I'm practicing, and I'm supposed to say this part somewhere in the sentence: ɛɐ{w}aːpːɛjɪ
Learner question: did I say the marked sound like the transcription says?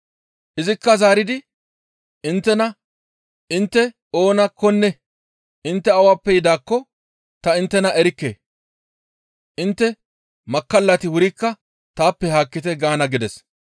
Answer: yes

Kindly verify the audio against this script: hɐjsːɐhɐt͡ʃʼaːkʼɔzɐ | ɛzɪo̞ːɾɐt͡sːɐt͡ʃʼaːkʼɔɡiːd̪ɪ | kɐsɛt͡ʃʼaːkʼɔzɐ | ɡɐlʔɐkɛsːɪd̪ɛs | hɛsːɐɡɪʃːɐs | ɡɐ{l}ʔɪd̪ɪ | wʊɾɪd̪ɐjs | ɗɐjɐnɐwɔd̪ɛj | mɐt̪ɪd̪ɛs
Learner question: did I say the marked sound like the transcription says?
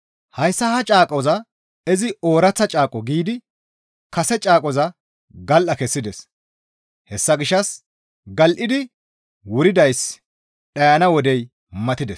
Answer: yes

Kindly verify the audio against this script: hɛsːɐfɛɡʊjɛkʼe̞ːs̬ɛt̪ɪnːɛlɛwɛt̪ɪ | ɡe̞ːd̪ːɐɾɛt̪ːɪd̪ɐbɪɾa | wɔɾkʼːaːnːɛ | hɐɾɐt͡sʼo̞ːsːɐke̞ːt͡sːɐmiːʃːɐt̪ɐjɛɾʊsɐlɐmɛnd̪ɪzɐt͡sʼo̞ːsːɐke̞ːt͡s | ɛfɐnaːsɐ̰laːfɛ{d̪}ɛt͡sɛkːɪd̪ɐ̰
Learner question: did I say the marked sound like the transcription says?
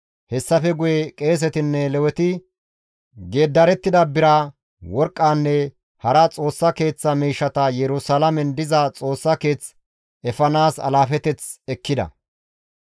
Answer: no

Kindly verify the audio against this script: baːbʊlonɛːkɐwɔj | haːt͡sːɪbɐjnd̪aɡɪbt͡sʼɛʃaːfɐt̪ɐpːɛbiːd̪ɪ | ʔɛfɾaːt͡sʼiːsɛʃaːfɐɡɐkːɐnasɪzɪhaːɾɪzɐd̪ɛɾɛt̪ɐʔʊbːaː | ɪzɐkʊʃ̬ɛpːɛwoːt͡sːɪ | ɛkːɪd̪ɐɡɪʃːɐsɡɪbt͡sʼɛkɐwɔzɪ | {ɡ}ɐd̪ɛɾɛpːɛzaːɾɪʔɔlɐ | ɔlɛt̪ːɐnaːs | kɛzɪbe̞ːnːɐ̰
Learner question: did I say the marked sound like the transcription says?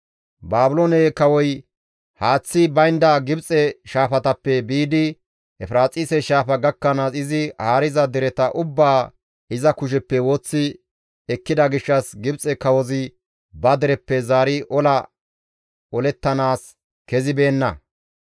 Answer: no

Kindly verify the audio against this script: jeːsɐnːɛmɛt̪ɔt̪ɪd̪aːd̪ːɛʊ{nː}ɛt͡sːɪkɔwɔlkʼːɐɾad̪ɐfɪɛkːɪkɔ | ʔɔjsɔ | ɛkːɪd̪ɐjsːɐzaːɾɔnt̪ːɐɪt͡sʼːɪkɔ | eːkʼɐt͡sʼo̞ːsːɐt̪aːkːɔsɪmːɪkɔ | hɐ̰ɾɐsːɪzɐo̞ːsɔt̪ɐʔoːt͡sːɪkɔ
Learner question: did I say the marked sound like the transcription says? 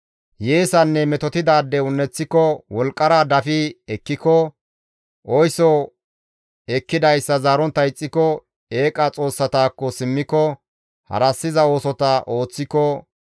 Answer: yes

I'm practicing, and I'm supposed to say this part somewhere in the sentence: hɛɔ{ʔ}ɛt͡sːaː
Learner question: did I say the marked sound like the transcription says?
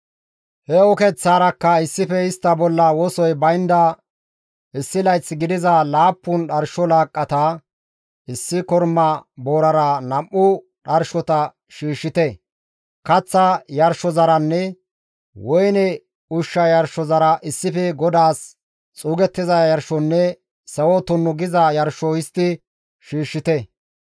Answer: no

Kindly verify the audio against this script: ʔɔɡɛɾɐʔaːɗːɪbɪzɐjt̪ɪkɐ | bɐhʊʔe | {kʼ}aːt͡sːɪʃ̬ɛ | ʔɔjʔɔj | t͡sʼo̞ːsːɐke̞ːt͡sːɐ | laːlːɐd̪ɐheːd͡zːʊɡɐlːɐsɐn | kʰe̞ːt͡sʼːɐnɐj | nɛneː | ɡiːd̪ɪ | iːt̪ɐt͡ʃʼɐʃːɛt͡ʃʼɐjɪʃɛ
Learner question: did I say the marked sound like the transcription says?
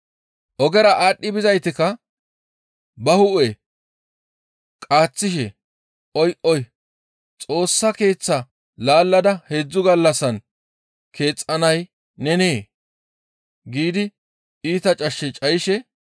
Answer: yes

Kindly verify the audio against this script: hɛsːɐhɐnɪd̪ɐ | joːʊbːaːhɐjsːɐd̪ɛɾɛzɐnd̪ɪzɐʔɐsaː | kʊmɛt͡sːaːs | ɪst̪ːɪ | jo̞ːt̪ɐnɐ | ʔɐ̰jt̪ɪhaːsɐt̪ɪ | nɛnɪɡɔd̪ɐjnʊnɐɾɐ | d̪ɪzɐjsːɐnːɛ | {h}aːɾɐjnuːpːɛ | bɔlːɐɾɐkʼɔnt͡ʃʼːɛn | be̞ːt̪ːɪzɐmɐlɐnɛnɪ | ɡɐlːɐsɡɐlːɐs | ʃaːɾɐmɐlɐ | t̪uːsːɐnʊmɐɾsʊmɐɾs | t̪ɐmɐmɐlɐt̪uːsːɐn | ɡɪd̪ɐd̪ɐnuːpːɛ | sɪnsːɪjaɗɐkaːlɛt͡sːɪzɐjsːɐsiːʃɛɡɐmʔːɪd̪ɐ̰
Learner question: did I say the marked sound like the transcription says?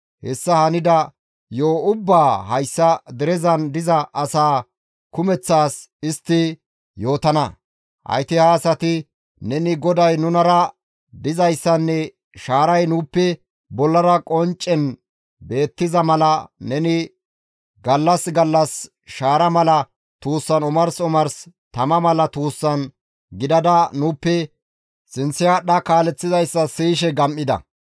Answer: no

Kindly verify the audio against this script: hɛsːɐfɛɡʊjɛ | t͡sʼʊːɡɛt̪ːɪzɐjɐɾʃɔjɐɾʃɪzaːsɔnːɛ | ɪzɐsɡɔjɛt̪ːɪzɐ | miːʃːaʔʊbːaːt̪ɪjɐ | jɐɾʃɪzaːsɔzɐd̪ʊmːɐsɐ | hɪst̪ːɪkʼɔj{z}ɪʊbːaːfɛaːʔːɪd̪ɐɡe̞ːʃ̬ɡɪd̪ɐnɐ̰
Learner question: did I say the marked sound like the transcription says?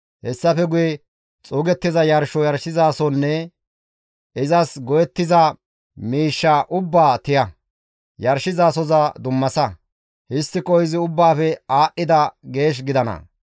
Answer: yes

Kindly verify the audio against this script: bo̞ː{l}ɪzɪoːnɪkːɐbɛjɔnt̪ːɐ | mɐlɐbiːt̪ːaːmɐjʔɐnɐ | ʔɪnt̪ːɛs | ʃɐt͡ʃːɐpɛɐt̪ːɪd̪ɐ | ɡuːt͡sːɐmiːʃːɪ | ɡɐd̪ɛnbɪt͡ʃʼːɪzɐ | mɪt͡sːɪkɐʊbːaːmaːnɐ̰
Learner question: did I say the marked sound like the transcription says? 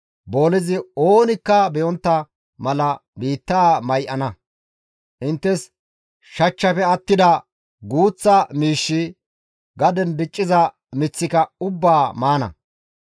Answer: yes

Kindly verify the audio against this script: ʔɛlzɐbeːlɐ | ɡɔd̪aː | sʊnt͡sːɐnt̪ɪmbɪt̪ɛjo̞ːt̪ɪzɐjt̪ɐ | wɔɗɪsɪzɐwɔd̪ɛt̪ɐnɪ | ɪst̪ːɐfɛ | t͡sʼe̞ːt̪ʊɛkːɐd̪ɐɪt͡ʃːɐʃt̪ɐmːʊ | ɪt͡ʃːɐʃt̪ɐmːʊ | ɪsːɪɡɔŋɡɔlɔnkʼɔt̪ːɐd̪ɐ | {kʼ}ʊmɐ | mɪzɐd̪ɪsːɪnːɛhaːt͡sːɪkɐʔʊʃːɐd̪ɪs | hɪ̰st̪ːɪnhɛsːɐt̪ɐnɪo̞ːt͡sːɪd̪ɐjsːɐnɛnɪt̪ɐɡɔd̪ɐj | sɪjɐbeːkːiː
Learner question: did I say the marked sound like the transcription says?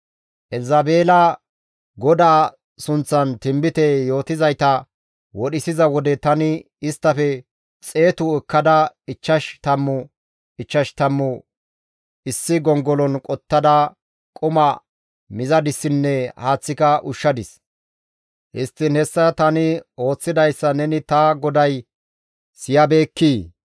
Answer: yes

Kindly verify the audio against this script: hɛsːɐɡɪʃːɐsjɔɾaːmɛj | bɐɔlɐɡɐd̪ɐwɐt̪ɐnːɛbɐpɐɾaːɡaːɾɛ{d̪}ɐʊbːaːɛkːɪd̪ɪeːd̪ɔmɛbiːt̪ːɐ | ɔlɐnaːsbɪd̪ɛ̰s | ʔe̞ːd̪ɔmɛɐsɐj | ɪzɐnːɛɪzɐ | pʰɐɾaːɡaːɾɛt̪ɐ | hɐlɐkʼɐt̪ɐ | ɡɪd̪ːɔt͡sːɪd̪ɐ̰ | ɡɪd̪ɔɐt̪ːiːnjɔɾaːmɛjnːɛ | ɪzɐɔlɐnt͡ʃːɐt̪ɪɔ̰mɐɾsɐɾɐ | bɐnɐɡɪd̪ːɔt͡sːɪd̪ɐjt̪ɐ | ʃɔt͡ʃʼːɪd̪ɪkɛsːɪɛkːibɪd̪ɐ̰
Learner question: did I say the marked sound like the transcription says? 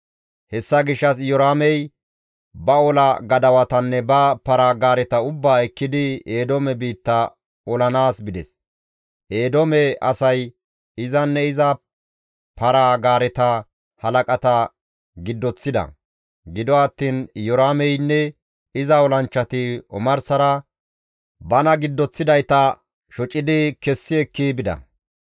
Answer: no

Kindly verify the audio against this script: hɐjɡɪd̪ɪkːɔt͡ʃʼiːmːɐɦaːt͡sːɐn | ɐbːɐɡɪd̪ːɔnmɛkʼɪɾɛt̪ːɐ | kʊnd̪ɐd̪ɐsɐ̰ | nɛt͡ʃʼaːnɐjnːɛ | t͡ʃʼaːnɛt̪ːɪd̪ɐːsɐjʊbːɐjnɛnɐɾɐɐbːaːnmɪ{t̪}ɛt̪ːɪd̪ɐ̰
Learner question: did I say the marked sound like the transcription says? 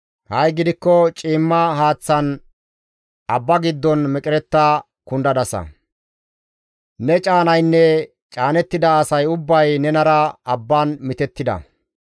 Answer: yes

